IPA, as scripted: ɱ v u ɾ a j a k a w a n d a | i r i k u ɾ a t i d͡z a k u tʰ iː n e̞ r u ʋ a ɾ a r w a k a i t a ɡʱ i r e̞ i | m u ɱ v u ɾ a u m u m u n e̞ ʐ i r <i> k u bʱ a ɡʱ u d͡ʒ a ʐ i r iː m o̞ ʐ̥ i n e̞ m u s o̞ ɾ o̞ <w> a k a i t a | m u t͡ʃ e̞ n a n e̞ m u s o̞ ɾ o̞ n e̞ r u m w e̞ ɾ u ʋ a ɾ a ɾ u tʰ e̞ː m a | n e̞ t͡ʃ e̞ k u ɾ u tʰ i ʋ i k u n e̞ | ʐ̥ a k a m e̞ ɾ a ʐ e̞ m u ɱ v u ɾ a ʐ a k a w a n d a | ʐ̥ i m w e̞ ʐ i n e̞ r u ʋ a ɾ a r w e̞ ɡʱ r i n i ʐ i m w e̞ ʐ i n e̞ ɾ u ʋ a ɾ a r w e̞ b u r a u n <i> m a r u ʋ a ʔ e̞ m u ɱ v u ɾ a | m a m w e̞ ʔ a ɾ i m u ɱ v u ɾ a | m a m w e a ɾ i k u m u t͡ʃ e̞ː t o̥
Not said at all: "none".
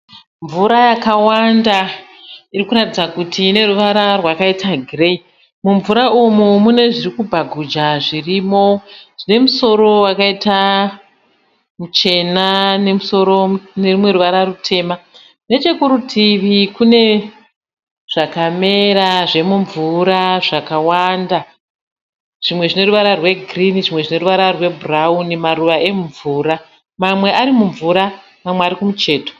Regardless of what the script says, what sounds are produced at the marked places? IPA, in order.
i, w, i

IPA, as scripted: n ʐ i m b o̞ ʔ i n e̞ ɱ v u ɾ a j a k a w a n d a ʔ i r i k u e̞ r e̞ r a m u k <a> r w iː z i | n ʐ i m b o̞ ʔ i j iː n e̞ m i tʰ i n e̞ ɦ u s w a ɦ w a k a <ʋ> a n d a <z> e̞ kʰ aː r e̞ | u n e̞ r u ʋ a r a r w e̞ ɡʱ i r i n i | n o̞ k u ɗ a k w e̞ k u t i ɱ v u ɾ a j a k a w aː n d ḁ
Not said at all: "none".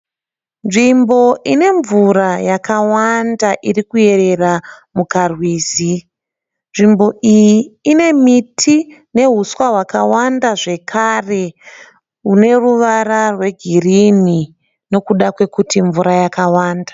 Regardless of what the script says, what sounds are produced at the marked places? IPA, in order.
a, w, ʐ

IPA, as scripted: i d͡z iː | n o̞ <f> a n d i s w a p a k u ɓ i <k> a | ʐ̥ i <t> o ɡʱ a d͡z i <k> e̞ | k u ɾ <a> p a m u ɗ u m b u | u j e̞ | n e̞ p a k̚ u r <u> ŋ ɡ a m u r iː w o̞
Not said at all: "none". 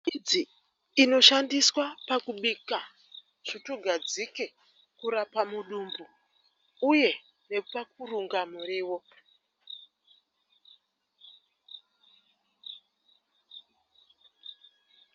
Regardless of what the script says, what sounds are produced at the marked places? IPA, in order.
ʃ, k, t, k, a, u

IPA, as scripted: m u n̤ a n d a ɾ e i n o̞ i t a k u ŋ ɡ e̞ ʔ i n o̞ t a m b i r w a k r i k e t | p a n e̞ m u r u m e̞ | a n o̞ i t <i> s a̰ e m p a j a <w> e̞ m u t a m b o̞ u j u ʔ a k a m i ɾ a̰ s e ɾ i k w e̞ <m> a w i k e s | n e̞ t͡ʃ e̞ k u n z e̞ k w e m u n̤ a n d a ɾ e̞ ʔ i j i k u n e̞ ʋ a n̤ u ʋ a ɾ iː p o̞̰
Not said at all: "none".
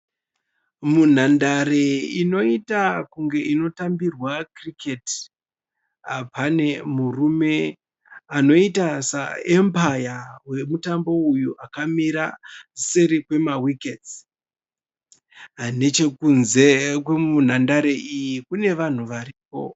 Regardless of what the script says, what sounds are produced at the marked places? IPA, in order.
a, w, m

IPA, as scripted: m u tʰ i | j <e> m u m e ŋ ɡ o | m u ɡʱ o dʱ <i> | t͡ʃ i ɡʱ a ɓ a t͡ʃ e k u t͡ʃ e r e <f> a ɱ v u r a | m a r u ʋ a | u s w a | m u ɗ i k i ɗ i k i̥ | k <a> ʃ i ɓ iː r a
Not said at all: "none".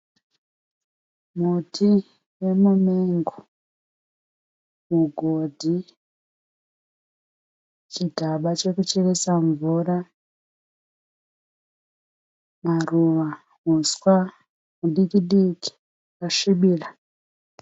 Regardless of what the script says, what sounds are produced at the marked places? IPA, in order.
e, i, s, a

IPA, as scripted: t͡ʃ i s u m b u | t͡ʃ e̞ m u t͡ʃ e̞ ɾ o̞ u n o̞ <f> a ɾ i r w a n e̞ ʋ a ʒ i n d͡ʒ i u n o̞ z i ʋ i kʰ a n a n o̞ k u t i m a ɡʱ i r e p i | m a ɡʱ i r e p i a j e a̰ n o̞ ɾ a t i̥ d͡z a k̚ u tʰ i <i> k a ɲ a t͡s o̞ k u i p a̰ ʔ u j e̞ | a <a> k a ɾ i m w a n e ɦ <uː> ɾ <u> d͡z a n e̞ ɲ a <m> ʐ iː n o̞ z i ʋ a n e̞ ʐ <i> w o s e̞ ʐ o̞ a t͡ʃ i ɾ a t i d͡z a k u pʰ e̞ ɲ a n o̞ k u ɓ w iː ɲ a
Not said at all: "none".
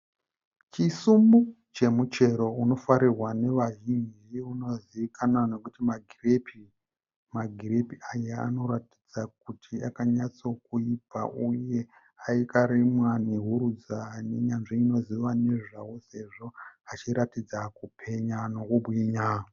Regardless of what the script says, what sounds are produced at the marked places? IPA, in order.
f, a, i, u, u, n, a

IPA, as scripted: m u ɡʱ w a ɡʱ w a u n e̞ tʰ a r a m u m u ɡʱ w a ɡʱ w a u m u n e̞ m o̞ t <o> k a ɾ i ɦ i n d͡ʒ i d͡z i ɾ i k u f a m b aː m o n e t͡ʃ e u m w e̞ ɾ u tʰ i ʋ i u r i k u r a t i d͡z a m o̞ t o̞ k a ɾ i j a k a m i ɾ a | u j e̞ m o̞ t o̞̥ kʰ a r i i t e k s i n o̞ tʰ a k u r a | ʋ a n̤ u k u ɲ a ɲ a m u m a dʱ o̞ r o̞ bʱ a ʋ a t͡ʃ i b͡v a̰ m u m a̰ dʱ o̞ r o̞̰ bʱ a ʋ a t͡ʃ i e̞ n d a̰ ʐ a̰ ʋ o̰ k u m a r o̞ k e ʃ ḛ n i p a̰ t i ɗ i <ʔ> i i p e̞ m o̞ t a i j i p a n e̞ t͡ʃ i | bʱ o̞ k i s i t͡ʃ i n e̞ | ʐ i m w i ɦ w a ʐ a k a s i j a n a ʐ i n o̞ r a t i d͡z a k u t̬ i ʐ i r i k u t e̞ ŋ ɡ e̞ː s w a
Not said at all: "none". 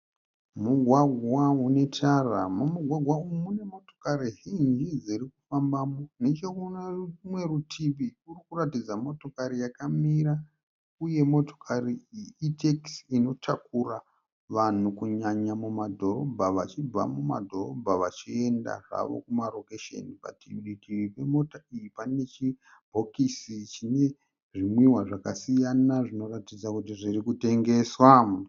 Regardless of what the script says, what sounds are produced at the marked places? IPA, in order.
o, k

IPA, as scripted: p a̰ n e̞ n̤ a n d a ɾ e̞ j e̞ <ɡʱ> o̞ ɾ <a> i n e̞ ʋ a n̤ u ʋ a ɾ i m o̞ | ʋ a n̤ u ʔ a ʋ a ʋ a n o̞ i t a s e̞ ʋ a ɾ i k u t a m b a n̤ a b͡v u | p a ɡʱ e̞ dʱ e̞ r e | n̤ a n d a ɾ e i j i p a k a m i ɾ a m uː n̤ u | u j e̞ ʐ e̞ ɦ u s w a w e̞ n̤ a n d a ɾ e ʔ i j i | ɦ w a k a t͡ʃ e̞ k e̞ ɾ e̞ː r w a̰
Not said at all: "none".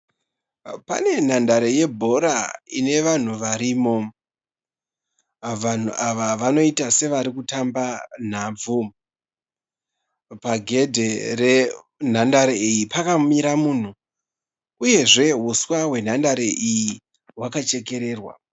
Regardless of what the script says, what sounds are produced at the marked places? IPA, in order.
bʱ, a

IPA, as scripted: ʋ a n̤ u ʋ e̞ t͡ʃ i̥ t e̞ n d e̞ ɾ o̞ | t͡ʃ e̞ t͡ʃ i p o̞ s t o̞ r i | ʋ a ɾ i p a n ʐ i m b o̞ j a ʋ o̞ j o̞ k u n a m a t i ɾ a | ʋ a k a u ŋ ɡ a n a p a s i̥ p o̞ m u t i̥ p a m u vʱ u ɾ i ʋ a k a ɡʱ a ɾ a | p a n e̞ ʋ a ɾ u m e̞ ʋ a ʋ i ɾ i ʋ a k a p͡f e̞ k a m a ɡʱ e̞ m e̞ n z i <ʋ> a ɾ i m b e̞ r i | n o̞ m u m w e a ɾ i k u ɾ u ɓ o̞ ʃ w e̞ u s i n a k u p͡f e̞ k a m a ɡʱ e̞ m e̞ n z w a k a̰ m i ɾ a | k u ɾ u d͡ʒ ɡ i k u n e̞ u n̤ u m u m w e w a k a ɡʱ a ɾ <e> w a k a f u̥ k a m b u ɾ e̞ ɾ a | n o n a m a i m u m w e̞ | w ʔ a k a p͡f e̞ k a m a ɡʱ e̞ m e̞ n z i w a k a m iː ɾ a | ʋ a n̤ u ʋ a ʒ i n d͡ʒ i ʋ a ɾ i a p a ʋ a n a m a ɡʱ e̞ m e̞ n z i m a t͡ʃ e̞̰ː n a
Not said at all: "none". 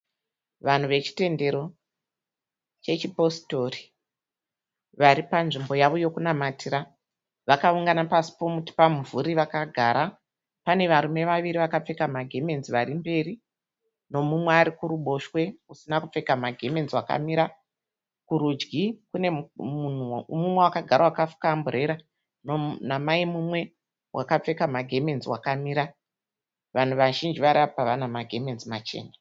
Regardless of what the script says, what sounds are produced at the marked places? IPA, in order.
ʋ, a

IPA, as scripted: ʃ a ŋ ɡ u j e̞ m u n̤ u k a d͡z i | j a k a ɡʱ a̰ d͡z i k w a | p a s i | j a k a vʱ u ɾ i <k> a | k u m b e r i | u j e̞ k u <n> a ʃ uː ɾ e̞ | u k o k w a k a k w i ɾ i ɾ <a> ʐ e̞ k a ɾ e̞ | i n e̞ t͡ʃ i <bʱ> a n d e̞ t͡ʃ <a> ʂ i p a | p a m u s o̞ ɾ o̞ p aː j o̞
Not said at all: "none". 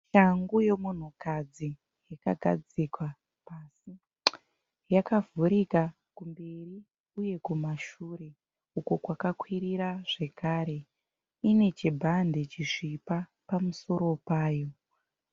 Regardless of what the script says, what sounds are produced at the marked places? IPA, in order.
k, m, a, bʱ, i

